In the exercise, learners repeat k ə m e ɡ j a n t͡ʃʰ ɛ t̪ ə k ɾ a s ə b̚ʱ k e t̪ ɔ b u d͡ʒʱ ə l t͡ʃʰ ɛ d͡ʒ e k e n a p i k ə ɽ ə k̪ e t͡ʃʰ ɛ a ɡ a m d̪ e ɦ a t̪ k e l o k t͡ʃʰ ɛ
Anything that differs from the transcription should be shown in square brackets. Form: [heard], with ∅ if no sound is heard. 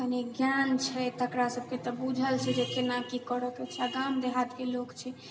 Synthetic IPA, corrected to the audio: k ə [n] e ɡ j a n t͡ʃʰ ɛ t̪ ə k ɾ a s ə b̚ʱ k e t̪ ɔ b u d͡ʒʱ ə l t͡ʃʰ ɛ d͡ʒ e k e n a [k] i k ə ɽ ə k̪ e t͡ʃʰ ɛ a ɡ a m d̪ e ɦ a t̪ k e l o k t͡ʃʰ ɛ